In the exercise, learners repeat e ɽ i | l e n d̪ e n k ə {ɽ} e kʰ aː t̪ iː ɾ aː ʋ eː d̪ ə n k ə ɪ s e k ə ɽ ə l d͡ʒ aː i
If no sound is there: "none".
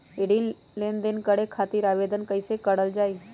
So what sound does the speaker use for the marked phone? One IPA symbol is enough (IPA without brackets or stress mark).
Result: ɽ